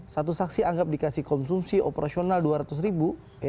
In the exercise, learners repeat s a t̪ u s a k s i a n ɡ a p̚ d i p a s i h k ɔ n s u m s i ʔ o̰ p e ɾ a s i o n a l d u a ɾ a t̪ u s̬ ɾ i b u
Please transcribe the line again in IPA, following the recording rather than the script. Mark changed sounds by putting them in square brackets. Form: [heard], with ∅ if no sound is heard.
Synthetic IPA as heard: s a t̪ u s a k s i a [ŋ] ɡ a p̚ d i [k] a s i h k ɔ n s u m s i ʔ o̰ p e ɾ a s i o n a l d u a ɾ a t̪ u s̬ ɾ i b u